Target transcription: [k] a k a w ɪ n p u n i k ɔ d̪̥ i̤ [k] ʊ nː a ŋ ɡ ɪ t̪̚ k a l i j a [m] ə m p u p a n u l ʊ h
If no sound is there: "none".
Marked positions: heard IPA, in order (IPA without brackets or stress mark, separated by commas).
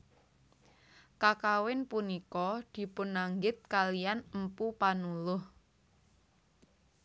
k, p, n